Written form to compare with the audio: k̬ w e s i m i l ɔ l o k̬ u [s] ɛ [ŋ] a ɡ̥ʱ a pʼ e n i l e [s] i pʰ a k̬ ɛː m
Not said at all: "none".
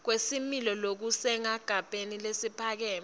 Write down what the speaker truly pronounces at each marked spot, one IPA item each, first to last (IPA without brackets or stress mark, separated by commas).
s, ŋ, s